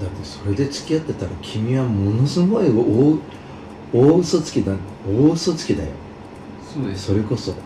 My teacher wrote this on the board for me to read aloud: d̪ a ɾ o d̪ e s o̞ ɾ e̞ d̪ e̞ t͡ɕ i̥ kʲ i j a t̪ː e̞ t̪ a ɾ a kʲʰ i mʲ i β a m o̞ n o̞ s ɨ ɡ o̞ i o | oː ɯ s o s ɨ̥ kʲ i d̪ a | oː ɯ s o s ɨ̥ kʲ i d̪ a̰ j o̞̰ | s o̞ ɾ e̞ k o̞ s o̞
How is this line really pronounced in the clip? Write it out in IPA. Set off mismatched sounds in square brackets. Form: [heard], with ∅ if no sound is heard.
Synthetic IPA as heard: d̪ a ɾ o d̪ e s o̞ ɾ e̞ d̪ e̞ t͡ɕ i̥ kʲ i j a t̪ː e̞ t̪ a ɾ a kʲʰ i mʲ i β a m o̞ n o̞ s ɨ ɡ o̞ i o | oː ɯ s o [t͡s] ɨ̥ kʲ i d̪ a | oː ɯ s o [t͡s] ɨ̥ kʲ i d̪ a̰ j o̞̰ | s o̞ ɾ e̞ k o̞ s o̞

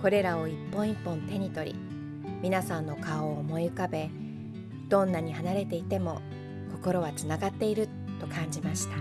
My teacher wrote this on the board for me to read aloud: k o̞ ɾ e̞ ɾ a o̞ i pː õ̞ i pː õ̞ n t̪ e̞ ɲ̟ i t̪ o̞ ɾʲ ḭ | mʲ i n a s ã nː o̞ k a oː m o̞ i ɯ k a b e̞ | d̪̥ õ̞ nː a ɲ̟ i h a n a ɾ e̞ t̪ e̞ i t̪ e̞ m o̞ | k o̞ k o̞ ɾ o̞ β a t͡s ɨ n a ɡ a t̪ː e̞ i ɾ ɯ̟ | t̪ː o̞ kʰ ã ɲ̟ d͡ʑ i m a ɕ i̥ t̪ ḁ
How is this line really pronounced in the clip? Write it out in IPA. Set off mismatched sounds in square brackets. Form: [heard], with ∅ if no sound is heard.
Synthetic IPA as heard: k o̞ ɾ e̞ ɾ a o̞ i pː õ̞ i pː õ̞ n t̪ e̞ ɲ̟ i t̪ o̞ ɾʲ ḭ | mʲ i n a s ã nː o̞ k a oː m o̞ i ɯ k a b e̞ | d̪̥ õ̞ nː a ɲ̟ i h a n a ɾ e̞ t̪ e̞ i t̪ e̞ m o̞ | k o̞ k o̞ ɾ o̞ β a t͡s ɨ n a ɡ a t̪ː e̞ i ɾ ɯ̟ | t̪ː o̞ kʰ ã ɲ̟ d͡ʑ i m a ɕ i̥ t̪ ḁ

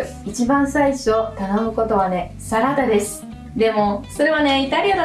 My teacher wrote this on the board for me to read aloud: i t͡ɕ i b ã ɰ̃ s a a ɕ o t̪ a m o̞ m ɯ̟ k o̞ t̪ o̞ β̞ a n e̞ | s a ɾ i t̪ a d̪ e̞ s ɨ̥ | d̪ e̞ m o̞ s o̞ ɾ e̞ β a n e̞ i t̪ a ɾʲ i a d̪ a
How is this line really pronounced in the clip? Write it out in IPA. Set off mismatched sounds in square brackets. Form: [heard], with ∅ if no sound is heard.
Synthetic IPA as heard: i t͡ɕ i b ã ɰ̃ s a [i] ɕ o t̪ a [n] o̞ m ɯ̟ k o̞ t̪ o̞ β̞ a n e̞ | s a ɾ [a] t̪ a d̪ e̞ s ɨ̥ | d̪ e̞ m o̞ s o̞ ɾ e̞ β a n e̞ i t̪ a ɾʲ i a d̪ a

